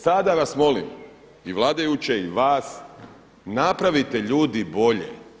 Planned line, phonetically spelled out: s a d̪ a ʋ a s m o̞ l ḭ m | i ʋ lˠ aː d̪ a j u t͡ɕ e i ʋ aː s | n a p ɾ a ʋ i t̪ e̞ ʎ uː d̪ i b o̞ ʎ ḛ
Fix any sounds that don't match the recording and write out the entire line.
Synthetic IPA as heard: s a d̪ a ʋ a s m o̞ l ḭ m | i ʋ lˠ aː d̪ a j u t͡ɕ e i ʋ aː s | n a p ɾ a ʋ i t̪ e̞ ʎ uː d̪ i b o̞ ʎ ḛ